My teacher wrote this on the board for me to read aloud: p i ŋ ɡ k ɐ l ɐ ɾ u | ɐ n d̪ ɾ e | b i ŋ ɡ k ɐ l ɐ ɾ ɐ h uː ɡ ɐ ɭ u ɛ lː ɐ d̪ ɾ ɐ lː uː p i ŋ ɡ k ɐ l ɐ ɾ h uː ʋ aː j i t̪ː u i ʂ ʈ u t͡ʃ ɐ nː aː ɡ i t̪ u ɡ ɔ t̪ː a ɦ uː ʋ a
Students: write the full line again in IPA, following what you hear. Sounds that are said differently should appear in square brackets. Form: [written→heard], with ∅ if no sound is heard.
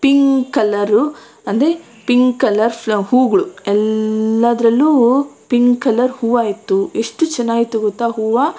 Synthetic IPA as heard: p i ŋ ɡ k ɐ l ɐ ɾ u | ɐ n d̪ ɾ e | [b→p] i ŋ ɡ k ɐ l ɐ ɾ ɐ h uː ɡ ɐ ɭ u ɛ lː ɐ d̪ ɾ ɐ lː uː p i ŋ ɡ k ɐ l ɐ ɾ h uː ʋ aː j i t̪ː u [i→e] ʂ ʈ u t͡ʃ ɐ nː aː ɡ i t̪ u ɡ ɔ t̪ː a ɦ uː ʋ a

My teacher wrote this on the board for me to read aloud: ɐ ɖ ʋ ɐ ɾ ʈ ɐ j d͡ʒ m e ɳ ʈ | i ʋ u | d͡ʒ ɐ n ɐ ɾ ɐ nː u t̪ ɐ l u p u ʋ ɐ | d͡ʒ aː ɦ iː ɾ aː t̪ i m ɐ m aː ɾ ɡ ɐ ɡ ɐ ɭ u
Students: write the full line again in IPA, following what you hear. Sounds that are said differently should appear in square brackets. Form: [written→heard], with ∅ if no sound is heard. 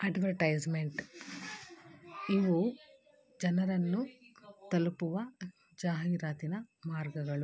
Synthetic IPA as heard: ɐ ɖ ʋ ɐ ɾ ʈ ɐ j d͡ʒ m e ɳ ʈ | i ʋ u | d͡ʒ ɐ n ɐ ɾ ɐ nː u t̪ ɐ l u p u ʋ ɐ | d͡ʒ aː ɦ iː ɾ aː t̪ i [m→n] ɐ m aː ɾ ɡ ɐ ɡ ɐ ɭ u

